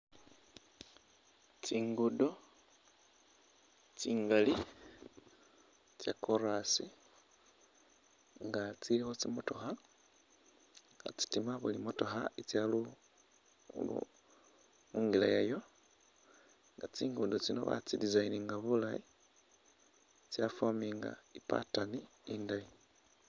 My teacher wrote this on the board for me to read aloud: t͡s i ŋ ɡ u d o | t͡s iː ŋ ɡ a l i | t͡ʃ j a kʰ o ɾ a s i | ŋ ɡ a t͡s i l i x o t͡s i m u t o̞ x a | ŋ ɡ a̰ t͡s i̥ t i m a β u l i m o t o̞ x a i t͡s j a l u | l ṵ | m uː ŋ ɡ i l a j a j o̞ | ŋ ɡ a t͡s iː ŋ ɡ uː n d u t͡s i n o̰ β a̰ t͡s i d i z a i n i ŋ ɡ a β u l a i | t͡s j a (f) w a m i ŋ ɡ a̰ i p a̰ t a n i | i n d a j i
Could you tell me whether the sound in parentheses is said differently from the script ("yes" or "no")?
no